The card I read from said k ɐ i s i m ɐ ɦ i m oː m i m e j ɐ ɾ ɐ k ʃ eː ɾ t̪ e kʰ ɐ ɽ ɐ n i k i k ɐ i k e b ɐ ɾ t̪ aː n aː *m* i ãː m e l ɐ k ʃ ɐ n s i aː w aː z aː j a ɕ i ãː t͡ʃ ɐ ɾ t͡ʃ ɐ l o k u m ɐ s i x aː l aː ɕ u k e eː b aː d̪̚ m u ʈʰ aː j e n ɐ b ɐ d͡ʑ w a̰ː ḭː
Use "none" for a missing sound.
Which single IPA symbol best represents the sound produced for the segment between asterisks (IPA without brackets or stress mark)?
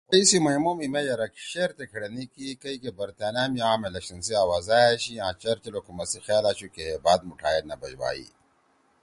m